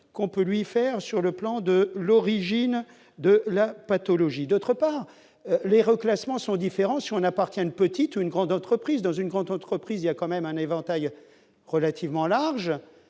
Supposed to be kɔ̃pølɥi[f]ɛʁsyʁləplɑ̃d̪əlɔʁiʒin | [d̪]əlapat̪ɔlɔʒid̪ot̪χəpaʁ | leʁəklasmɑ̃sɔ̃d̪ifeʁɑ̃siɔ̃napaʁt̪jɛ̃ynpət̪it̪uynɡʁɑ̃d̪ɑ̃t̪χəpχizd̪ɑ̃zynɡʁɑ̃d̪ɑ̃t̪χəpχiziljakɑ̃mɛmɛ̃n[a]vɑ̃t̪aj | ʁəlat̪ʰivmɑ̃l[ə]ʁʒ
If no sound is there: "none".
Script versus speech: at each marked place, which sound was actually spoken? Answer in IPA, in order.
f, d̪, e, a

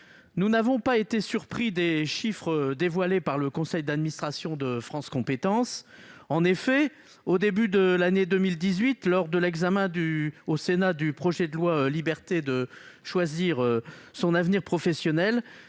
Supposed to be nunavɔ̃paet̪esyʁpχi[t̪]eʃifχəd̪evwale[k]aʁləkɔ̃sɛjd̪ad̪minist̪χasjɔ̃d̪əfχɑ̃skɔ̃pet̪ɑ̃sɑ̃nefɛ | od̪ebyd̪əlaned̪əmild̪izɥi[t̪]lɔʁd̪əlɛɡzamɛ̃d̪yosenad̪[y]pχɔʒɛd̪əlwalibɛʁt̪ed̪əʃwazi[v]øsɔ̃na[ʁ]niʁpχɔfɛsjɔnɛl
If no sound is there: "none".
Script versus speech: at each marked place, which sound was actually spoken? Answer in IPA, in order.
d̪, p, t̪, y, ʁ, v

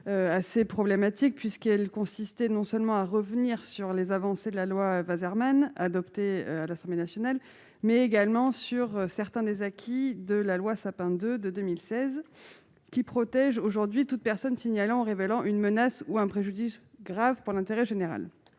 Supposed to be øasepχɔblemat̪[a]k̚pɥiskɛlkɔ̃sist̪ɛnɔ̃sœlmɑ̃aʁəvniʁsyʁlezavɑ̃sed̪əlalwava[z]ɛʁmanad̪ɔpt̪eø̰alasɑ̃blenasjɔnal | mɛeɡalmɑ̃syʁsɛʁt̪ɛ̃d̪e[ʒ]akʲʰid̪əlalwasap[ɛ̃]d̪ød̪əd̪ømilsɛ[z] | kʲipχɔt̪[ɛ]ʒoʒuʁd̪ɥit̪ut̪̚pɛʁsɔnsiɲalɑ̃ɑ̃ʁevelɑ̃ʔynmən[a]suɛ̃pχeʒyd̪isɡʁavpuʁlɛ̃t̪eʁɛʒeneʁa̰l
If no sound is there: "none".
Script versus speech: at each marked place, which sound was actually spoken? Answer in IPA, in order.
i, z, z, ɛ̃, z, ɛ, a

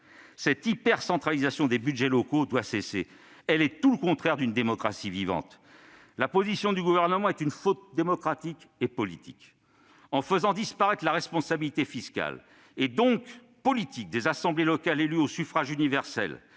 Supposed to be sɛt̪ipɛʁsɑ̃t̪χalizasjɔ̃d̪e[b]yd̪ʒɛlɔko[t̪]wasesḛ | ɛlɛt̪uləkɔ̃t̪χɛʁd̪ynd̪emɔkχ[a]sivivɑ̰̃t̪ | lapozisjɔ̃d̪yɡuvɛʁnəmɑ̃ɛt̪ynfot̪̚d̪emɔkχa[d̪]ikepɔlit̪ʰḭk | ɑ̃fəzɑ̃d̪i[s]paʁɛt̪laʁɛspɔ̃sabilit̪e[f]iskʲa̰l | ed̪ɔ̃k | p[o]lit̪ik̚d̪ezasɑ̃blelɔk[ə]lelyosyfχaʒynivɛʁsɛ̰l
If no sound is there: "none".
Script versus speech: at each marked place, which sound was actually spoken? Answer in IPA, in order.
b, d̪, a, t̪, s, f, ɔ, a

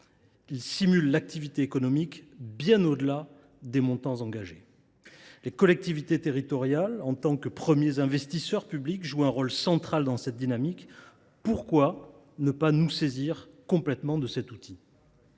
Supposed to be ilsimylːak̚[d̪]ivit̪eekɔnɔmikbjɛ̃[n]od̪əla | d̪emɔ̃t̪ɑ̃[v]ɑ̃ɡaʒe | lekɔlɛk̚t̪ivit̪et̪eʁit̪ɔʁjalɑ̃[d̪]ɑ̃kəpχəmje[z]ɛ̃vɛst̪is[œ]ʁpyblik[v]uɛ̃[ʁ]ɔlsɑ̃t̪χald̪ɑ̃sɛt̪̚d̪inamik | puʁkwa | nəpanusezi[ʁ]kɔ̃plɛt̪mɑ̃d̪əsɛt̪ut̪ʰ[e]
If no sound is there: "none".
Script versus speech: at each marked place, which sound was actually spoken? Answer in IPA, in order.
t̪, n, z, t̪, z, œ, ʒ, ʁ, ʁ, i

